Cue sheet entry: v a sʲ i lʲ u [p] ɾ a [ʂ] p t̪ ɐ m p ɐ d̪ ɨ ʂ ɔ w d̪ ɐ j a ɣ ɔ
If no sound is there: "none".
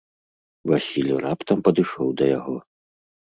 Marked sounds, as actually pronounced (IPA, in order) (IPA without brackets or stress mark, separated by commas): none, none